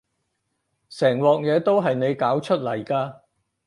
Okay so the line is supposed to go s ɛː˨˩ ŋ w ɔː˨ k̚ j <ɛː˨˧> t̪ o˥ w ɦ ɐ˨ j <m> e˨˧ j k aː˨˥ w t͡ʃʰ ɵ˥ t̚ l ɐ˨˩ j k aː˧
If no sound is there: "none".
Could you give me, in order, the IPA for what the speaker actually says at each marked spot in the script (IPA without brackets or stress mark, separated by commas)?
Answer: ɛː˨˧, n